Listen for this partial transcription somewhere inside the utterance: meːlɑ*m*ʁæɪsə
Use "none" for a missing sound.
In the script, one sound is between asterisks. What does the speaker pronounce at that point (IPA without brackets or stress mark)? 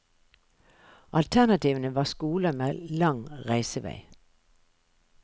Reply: ŋ